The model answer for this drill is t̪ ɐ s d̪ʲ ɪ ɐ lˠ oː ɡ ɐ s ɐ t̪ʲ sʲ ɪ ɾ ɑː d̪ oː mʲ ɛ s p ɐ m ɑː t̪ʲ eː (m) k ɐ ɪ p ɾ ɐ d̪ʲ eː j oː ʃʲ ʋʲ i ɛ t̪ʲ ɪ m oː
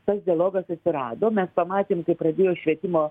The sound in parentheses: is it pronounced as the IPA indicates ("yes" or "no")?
yes